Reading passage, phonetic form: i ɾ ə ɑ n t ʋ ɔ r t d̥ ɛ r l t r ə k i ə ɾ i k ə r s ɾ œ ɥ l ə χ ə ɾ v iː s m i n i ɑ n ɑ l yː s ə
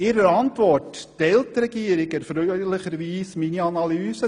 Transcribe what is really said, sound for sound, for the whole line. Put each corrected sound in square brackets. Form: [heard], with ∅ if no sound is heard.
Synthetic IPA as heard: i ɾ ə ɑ n t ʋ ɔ r t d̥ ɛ [∅] l t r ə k i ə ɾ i k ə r [f] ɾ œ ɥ l ə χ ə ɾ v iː s m i n i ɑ n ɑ l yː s ə